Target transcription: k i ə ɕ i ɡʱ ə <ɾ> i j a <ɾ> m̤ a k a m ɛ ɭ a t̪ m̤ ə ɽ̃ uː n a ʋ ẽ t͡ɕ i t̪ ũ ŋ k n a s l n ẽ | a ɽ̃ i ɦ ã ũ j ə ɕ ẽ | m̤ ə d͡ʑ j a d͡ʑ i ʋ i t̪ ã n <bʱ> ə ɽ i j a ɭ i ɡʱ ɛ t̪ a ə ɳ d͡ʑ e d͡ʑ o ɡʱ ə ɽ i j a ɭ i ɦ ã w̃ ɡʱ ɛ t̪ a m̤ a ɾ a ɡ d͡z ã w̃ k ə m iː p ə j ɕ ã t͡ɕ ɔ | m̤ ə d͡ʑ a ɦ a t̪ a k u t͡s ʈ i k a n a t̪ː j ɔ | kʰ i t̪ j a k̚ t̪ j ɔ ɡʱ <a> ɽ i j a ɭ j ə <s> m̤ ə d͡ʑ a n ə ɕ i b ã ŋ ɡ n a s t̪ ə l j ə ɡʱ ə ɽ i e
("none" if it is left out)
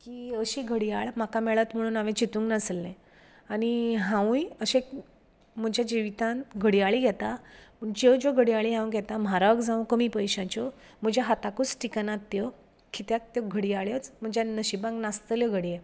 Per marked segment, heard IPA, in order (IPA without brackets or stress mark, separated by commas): ɽ, ɭ, ɡʱ, ə, t͡s